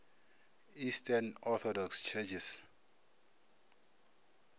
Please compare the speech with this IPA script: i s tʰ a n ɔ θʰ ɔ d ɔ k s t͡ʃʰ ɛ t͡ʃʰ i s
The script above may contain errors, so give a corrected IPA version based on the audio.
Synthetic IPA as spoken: i s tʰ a n ɔ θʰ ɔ d ɔ k s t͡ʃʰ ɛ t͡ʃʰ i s